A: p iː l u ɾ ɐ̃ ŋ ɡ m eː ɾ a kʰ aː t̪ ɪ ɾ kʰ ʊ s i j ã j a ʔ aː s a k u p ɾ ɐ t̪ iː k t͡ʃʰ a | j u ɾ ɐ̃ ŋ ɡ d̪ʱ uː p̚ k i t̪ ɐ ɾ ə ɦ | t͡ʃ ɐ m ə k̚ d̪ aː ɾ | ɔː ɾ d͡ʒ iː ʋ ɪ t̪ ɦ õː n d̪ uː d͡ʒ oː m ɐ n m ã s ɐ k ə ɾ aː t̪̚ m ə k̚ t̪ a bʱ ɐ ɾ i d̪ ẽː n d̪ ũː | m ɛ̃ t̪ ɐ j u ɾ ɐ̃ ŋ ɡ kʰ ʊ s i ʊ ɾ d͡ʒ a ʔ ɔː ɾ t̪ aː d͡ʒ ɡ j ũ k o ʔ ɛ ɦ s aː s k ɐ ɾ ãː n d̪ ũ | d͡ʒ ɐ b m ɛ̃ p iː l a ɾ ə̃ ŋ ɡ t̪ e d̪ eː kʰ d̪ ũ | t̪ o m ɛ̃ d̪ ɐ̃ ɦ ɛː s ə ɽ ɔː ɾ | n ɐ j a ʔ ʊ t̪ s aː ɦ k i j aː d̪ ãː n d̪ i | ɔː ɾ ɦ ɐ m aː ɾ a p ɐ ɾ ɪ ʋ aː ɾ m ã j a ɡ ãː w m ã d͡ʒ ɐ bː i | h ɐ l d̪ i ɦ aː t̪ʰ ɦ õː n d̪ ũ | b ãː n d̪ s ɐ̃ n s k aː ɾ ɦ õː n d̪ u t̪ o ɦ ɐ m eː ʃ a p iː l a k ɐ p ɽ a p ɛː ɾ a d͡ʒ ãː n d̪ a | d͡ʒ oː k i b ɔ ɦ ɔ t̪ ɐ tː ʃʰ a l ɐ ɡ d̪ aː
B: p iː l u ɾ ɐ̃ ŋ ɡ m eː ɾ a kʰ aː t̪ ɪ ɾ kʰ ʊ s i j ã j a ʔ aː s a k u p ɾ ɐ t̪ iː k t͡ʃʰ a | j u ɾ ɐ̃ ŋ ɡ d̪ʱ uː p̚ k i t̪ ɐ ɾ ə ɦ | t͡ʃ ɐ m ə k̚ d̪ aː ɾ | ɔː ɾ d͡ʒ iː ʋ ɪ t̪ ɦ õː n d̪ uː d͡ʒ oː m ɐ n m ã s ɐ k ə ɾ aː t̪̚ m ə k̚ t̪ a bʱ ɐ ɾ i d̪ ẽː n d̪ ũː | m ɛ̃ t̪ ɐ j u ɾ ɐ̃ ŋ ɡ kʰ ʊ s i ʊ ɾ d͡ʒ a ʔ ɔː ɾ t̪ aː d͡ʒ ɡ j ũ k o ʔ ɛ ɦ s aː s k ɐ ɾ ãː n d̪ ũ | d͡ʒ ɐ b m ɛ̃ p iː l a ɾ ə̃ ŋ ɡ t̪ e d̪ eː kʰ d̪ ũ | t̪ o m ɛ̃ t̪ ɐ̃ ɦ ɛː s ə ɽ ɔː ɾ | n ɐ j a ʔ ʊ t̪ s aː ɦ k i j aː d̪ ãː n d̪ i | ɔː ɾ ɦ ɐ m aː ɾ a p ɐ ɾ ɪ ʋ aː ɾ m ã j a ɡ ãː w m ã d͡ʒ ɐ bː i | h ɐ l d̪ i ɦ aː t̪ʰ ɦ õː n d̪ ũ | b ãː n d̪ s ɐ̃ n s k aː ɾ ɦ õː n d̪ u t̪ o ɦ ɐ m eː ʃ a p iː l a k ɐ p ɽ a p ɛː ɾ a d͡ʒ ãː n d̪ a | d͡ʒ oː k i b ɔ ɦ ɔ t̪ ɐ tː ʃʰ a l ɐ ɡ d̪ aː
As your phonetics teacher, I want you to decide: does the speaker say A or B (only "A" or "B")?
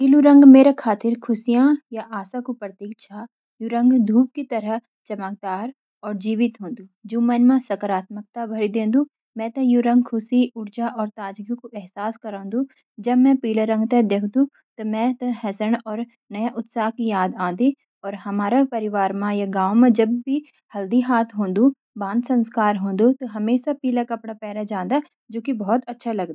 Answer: B